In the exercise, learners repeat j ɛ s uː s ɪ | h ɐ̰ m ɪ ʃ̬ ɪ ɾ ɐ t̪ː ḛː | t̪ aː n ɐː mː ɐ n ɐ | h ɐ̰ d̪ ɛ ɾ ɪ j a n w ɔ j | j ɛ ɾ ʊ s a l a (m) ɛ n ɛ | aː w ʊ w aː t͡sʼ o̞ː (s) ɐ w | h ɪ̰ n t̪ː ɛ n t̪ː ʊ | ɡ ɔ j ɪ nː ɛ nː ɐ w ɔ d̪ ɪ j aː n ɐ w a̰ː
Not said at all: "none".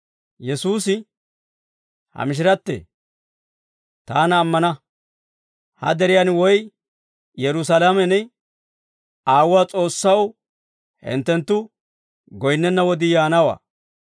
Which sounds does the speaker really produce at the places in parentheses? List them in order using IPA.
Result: m, sː

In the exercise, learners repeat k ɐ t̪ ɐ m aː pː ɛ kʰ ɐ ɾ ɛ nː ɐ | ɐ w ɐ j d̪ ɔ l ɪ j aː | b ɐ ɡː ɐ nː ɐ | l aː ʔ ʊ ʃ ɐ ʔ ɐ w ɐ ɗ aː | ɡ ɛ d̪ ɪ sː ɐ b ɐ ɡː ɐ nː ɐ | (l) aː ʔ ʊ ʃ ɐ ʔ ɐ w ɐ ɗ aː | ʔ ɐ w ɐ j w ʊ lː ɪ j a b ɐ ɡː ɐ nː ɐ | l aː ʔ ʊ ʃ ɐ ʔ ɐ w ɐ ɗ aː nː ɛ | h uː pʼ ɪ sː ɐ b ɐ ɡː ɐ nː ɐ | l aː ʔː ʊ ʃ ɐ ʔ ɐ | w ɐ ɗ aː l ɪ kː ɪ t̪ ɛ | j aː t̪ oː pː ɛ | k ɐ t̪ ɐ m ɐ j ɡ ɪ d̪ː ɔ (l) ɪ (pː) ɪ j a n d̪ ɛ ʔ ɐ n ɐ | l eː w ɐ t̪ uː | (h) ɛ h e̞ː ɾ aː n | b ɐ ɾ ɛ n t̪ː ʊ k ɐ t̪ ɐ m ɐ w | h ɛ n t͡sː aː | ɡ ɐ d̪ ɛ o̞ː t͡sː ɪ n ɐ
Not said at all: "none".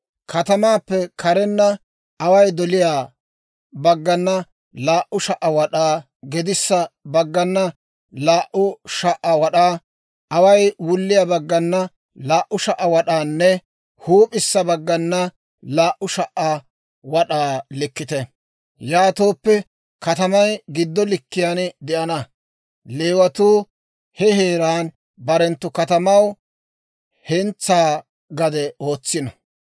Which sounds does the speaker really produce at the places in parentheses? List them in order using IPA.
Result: l, l, kː, h

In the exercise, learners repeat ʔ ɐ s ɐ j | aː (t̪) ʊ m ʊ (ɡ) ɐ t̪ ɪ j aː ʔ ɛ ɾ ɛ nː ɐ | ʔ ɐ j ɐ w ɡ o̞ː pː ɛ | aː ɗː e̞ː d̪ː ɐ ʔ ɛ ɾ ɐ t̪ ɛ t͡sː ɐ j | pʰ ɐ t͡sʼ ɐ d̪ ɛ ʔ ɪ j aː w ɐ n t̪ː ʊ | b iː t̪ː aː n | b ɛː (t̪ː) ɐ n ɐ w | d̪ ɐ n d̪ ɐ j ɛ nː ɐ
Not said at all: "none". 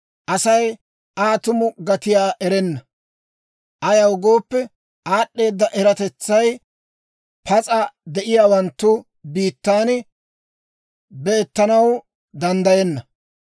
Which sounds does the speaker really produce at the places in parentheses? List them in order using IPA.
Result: t̪, ɡ, t̪ː

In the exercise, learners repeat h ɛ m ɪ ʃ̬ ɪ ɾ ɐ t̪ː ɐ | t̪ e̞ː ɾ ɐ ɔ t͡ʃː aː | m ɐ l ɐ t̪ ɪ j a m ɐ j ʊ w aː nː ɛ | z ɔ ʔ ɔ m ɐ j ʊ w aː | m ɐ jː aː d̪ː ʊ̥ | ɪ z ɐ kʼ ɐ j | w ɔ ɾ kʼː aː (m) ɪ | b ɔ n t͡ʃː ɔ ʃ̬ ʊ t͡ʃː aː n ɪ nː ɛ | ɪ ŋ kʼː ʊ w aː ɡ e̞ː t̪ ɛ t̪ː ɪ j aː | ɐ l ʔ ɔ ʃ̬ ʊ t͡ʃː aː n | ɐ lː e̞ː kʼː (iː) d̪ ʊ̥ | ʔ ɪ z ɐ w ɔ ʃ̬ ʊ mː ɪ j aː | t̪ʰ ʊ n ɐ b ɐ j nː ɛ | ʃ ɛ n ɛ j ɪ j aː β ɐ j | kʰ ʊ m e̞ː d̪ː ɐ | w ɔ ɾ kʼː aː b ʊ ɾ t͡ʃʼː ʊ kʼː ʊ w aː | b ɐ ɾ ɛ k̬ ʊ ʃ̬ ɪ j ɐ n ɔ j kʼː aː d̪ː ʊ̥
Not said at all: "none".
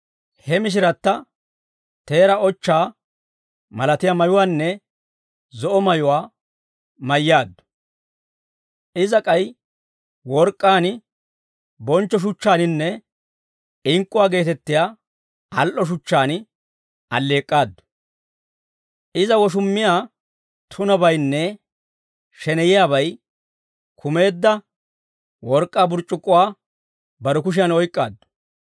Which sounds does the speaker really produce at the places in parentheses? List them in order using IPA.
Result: n, aː

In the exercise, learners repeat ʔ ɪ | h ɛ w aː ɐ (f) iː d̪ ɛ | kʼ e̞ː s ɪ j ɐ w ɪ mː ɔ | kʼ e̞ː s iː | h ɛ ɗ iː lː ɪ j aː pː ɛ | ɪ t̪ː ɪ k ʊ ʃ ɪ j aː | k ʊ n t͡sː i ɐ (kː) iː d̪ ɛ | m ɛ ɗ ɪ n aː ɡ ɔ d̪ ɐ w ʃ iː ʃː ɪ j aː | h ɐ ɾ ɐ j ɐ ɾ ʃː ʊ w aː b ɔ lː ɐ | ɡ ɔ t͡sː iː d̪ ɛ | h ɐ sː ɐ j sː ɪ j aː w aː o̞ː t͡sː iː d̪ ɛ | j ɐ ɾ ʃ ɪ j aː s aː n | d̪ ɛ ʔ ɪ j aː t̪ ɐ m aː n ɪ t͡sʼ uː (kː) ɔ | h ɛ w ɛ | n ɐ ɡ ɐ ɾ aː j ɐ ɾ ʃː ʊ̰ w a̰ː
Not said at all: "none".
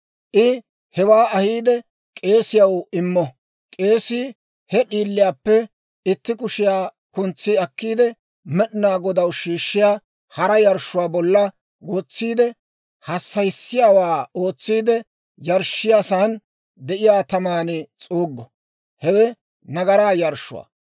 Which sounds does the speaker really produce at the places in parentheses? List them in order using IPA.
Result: h, kː, ɡː

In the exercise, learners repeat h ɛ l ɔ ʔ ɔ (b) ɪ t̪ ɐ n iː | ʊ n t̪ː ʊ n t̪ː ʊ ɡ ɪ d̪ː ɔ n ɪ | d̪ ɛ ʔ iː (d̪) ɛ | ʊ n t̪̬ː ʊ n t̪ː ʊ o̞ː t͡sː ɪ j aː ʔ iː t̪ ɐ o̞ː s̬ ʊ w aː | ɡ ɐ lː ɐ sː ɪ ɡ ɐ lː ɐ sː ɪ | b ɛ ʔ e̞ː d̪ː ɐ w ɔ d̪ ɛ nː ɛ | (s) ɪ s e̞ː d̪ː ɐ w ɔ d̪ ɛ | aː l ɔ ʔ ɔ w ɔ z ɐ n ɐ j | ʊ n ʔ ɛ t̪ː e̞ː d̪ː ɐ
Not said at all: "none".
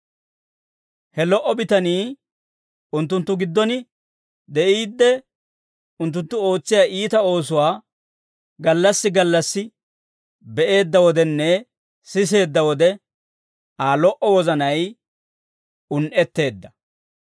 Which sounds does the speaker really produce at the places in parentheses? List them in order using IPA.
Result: b, d̪ː, s

